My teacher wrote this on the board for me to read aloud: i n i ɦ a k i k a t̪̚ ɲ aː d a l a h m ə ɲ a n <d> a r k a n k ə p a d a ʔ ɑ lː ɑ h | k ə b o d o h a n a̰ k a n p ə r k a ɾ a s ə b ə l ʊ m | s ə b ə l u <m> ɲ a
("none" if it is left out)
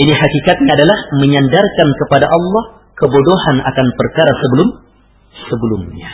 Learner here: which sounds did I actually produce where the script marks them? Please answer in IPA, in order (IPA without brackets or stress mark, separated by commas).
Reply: d, m